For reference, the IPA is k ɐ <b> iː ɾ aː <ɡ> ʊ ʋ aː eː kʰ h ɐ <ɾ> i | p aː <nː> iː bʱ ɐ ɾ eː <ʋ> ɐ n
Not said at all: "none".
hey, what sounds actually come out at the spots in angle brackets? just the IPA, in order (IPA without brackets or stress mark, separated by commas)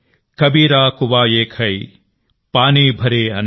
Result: b, k, none, n, none